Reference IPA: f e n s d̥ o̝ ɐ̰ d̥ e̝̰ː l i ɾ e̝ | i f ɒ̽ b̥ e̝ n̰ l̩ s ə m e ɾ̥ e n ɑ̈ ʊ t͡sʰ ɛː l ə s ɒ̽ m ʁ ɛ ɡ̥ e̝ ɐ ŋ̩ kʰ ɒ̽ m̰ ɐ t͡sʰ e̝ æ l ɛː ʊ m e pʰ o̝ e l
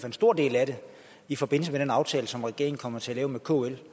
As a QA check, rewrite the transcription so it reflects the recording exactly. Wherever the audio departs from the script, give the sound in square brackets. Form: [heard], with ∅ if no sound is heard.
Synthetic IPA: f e n s d̥ o̝ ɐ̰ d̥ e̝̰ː l [æ] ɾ e̝ | i f ɒ̽ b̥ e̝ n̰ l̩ s ə m e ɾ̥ e n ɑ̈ ʊ t͡sʰ ɛː l ə s ɒ̽ m ʁ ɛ ɡ̥ e̝ ɐ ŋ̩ kʰ ɒ̽ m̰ ɐ t͡sʰ e̝ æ l ɛː ʊ m e [kʰ] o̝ e l